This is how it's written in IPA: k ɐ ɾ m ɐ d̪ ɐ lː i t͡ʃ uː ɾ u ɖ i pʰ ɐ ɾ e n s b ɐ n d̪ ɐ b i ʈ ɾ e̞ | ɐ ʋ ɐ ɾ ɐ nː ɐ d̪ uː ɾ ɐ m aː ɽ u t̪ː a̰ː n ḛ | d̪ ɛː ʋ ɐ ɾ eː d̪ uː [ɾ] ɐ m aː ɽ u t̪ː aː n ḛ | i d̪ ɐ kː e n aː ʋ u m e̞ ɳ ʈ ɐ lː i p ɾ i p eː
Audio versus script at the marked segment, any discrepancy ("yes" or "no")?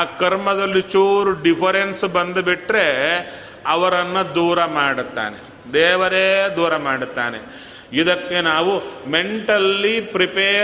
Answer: no